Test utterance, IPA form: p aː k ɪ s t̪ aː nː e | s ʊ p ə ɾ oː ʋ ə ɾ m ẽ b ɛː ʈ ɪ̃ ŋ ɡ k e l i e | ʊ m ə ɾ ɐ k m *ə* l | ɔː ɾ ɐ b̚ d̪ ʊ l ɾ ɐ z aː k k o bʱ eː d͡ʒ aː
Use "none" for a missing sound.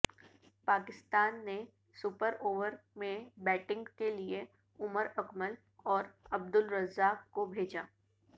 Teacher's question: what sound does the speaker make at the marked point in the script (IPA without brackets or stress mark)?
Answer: ə